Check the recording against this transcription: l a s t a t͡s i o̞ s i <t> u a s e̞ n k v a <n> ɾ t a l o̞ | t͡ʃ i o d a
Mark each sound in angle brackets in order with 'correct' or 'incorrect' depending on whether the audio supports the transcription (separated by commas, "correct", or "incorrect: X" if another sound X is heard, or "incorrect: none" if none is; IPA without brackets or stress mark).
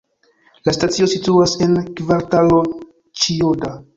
correct, incorrect: none